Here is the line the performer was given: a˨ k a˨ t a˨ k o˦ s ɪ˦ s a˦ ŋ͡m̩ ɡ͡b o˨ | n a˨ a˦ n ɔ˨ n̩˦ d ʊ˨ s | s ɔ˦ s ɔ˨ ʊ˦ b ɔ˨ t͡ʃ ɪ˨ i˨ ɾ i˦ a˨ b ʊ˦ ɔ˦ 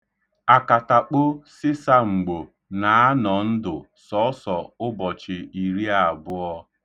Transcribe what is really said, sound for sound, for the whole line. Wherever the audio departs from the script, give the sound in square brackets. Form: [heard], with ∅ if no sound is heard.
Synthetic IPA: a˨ k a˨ t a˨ [k͡p] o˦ s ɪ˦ s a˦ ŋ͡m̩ ɡ͡b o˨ | n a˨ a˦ n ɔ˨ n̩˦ d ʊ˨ [∅] | s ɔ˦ s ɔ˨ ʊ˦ b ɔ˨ t͡ʃ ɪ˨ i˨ ɾ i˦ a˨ b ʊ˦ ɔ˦